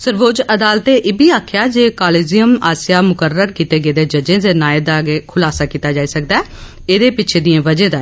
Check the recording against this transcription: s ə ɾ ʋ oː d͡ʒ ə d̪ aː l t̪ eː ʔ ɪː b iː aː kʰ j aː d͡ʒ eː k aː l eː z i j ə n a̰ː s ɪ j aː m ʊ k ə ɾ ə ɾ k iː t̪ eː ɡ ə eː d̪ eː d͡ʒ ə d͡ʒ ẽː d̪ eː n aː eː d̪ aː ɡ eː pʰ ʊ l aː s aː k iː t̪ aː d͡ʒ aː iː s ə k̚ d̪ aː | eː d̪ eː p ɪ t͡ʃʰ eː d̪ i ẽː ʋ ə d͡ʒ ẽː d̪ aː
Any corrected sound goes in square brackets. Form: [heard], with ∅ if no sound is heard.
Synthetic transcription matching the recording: s ə ɾ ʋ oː d͡ʒ ə d̪ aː l t̪ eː ʔ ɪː b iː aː kʰ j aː d͡ʒ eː k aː l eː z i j ə [m] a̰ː s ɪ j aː m ʊ k ə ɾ ə ɾ k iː t̪ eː ɡ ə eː d̪ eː d͡ʒ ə d͡ʒ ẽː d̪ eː n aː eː d̪ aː ɡ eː [kʰ] ʊ l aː s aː k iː t̪ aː d͡ʒ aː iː s ə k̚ d̪ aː | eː d̪ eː p ɪ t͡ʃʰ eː d̪ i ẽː ʋ ə d͡ʒ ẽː d̪ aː

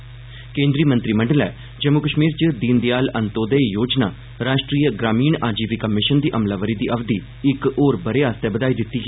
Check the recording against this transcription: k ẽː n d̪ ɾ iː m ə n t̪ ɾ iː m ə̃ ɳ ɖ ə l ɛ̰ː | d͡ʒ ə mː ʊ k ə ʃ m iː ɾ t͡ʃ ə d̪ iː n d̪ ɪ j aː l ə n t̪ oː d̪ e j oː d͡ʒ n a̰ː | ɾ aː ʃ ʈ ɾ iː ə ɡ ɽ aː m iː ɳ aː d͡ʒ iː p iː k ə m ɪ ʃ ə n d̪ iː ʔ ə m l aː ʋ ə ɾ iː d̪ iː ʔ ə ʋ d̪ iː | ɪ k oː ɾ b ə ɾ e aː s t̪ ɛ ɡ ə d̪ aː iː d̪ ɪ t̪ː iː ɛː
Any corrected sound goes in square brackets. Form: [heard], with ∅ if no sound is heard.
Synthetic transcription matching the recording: k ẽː n d̪ ɾ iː m ə n t̪ ɾ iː m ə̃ ɳ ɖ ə l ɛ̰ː | d͡ʒ ə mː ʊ k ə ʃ m iː ɾ t͡ʃ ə d̪ iː n d̪ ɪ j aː l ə n t̪ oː d̪ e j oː d͡ʒ n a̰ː | ɾ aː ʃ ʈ ɾ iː ə ɡ [ɾ] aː m iː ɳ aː d͡ʒ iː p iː k ə m ɪ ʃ ə n d̪ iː ʔ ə m l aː ʋ ə ɾ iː d̪ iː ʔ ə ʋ d̪ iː | ɪ k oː ɾ b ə ɾ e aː s t̪ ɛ [b] ə d̪ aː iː d̪ ɪ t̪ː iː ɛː

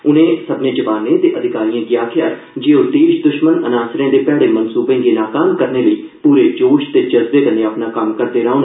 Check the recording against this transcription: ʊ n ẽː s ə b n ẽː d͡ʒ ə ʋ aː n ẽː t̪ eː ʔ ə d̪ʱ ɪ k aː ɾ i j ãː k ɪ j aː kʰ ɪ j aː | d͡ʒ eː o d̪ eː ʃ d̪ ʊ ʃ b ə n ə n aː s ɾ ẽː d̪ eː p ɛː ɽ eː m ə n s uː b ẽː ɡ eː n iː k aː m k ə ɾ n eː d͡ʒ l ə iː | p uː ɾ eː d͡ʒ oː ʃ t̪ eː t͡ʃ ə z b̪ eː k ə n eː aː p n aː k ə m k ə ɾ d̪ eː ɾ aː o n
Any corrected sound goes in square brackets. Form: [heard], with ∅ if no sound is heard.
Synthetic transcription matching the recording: ʊ n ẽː s ə b n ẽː d͡ʒ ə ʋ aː n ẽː t̪ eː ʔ ə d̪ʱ ɪ k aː ɾ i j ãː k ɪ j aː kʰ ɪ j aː | d͡ʒ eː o d̪ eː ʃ d̪ ʊ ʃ [m] ə n ə n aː s ɾ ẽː d̪ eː p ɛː ɽ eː m ə n s uː b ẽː ɡ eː n [aː] k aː m k ə ɾ n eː [∅] l ə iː | p uː ɾ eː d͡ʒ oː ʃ t̪ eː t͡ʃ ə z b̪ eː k ə n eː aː p n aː k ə m k ə ɾ d̪ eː ɾ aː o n

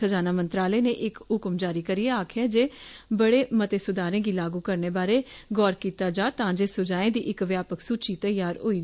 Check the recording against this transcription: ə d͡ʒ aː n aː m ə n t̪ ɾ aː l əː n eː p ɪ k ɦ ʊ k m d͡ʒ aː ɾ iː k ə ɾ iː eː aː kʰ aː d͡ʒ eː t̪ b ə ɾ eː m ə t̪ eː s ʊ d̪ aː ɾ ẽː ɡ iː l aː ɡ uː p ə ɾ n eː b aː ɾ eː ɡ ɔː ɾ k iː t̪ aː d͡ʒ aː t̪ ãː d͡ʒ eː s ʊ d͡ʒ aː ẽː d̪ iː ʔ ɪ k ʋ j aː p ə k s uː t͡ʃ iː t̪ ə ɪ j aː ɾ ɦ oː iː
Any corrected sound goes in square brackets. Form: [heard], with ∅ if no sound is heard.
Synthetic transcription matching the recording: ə d͡ʒ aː n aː m ə n t̪ ɾ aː l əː n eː [ʔ] ɪ k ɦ ʊ k m d͡ʒ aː ɾ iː k ə ɾ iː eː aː kʰ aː d͡ʒ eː [∅] b ə [ɽ] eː m ə t̪ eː s ʊ d̪ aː ɾ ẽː ɡ iː l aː ɡ uː [k] ə ɾ n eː b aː ɾ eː ɡ ɔː ɾ k iː t̪ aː d͡ʒ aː t̪ ãː d͡ʒ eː s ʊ d͡ʒ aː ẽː d̪ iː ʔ ɪ k ʋ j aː p ə k s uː t͡ʃ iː t̪ ə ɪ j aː ɾ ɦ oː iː

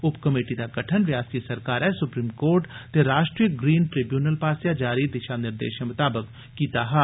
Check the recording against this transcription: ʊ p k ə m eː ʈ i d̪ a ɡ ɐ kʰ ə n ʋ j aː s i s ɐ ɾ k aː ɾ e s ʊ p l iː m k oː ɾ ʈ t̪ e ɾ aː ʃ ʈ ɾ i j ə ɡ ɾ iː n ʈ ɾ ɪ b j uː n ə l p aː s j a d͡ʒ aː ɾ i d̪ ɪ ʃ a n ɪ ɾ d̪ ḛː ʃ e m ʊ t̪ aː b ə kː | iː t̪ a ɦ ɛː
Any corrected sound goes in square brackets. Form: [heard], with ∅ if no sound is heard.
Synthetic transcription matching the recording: ʊ p k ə m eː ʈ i d̪ a ɡ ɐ [ʈʰ] ə n ʋ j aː s i s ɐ ɾ k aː ɾ [ɛ] s ʊ p [ɾ] iː m k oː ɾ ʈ t̪ e ɾ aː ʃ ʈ ɾ i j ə ɡ ɾ iː n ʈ ɾ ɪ b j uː n ə l p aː s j a d͡ʒ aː ɾ i d̪ ɪ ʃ a n ɪ ɾ d̪ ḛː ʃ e m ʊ t̪ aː b ə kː | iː t̪ a ɦ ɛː

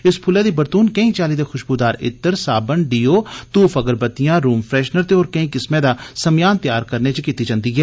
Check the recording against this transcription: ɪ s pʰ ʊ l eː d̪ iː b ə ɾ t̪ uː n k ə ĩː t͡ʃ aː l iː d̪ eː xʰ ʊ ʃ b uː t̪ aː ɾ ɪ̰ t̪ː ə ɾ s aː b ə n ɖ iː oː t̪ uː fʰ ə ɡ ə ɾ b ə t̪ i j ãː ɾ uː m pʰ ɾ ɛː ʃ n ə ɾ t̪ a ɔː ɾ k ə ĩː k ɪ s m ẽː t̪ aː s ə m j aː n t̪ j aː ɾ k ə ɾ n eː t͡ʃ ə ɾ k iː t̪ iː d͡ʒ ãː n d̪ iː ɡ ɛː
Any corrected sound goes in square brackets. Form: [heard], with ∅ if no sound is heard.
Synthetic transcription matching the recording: ɪ s pʰ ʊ l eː d̪ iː b ə ɾ t̪ uː n k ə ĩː t͡ʃ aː l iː d̪ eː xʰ ʊ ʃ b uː [d̪] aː ɾ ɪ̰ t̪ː ə ɾ s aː b ə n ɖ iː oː t̪ uː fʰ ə ɡ ə ɾ b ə t̪ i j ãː ɾ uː m pʰ ɾ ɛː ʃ n ə ɾ t̪ [e] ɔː ɾ k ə ĩː k ɪ s m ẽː [d̪] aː s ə m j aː n t̪ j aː ɾ k ə ɾ n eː t͡ʃ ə [∅] k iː t̪ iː d͡ʒ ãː n d̪ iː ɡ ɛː

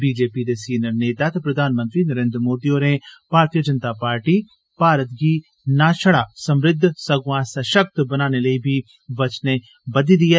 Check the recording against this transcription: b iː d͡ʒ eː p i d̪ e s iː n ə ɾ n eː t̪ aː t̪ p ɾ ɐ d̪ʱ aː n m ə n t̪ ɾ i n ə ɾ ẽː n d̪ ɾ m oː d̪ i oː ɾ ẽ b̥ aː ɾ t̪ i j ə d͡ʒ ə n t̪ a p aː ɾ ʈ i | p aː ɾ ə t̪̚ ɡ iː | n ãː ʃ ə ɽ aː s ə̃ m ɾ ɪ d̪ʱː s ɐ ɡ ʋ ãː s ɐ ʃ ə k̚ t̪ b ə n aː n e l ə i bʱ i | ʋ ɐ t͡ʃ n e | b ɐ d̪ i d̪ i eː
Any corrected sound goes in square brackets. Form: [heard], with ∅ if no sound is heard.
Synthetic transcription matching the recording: b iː d͡ʒ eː p i d̪ e s iː n ə ɾ n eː t̪ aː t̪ p ɾ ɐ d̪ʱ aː n m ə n t̪ ɾ i n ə ɾ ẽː n d̪ ɾ m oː d̪ i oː ɾ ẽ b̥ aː ɾ t̪ i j ə d͡ʒ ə n t̪ a p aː ɾ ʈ i | p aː ɾ ə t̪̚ ɡ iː | n [aː] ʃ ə ɽ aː s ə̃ m ɾ ɪ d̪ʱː s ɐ ɡ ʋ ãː s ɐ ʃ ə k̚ t̪ b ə n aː n e l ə i bʱ i | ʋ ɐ t͡ʃ n e | b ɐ d̪ i d̪ i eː

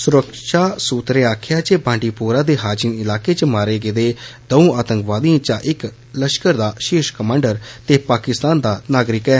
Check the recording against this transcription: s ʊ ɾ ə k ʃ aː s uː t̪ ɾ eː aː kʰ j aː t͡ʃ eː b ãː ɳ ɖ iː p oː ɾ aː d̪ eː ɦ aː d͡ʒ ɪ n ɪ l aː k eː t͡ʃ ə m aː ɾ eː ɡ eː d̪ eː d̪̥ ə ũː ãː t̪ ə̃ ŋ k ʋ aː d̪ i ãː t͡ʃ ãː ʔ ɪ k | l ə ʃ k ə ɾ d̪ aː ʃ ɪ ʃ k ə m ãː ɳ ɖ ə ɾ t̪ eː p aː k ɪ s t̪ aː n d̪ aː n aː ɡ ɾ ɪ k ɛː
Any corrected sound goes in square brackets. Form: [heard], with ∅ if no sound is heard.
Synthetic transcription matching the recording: s ʊ ɾ ə k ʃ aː s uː t̪ ɾ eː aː kʰ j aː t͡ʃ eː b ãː ɳ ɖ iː p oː ɾ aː d̪ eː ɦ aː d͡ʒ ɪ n ɪ l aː k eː t͡ʃ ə m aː ɾ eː ɡ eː d̪ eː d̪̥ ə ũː [aː] t̪ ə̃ ŋ k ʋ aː d̪ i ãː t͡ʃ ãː ʔ ɪ k | l ə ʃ k ə ɾ d̪ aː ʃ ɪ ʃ k ə m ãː ɳ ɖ ə ɾ t̪ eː p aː k ɪ s t̪ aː n d̪ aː n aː ɡ ɾ ɪ k ɛː

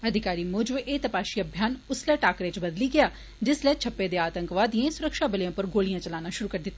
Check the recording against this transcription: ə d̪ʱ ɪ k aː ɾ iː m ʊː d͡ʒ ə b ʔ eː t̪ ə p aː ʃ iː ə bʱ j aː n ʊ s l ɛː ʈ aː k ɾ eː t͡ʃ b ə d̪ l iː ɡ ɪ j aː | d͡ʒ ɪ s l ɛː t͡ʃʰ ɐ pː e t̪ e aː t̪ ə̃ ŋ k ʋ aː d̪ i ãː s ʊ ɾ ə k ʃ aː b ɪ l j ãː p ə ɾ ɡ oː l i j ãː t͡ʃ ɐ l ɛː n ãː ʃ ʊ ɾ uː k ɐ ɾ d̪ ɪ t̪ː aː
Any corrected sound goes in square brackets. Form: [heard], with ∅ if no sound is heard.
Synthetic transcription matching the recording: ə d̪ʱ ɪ k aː ɾ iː m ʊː d͡ʒ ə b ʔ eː t̪ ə p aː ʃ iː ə bʱ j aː n ʊ s l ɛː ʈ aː k ɾ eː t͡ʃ b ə d̪ l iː ɡ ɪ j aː | d͡ʒ ɪ s l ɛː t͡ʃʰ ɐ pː e [d̪] e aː t̪ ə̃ ŋ k ʋ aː d̪ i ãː s ʊ ɾ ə k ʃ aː b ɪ l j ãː p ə ɾ ɡ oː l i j ãː t͡ʃ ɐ l [aː] n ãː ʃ ʊ ɾ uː k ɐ ɾ d̪ ɪ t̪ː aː

